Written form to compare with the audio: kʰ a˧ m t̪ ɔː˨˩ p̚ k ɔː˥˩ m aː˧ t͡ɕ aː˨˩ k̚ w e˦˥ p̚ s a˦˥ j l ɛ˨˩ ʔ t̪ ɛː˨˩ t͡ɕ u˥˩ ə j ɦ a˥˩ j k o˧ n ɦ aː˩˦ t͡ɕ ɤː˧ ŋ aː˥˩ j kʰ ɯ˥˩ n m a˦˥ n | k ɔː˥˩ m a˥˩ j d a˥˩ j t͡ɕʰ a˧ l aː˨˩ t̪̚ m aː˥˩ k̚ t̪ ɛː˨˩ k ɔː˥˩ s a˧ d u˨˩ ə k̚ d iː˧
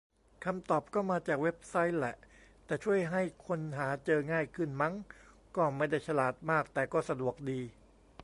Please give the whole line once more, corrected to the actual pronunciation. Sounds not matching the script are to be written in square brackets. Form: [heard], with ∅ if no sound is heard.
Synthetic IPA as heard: kʰ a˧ m t̪ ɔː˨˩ p̚ k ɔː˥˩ m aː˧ t͡ɕ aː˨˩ k̚ w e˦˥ p̚ s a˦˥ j l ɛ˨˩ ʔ t̪ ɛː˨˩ [t͡ɕʰ] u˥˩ ə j ɦ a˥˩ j [kʰ] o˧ n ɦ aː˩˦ t͡ɕ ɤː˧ ŋ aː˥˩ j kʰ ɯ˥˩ n m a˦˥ [ŋ] | k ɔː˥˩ m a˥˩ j d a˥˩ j t͡ɕʰ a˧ l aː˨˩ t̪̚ m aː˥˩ k̚ t̪ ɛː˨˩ k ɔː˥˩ s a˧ d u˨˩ ə k̚ d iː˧